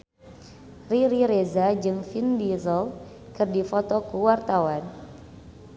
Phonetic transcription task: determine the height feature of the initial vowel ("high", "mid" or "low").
high